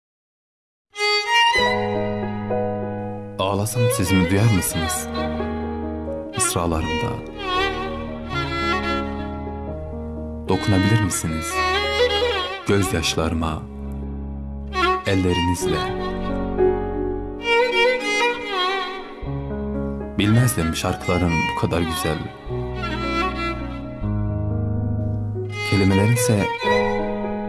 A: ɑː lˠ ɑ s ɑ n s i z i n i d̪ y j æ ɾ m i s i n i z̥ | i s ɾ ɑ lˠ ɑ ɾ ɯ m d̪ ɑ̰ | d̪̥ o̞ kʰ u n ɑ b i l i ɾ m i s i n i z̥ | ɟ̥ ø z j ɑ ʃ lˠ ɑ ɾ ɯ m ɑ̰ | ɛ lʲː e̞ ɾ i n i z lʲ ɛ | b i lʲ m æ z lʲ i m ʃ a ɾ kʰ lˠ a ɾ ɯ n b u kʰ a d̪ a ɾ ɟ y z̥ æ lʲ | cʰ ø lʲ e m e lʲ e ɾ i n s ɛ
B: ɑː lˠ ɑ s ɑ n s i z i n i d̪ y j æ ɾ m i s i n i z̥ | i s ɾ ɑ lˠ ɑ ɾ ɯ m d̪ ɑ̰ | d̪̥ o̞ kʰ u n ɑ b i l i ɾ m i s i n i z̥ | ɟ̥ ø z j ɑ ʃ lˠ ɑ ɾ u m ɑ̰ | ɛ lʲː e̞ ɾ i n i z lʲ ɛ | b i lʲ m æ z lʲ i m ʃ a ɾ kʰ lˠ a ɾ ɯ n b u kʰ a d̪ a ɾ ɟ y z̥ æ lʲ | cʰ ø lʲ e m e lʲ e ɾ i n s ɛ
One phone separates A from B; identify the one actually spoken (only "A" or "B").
A